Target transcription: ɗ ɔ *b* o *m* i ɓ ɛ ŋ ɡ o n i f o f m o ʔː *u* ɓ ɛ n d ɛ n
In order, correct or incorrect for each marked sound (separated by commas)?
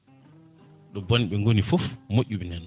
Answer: correct, incorrect, correct